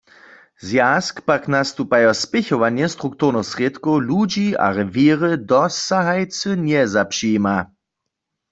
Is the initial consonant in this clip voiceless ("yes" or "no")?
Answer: no